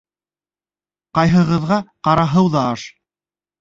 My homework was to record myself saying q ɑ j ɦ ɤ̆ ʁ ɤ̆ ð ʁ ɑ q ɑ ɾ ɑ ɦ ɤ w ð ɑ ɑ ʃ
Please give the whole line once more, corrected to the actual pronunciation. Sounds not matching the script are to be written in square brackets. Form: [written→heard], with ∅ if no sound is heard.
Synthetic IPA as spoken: q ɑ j ɦ ɤ̆ ʁ ɤ̆ ð ʁ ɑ q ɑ ɾ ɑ ɦ ɤ w ð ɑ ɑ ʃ